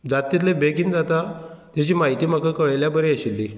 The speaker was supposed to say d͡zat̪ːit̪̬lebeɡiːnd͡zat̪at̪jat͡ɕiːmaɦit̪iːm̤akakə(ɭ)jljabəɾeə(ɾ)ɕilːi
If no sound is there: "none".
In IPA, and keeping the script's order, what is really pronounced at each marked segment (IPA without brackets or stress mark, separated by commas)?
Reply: ɭ, none